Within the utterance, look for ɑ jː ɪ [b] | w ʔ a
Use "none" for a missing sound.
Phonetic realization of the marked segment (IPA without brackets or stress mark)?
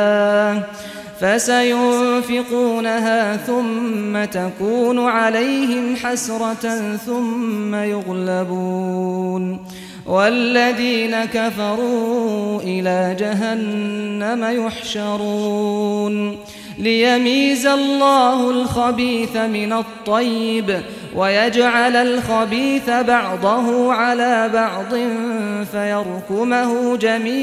b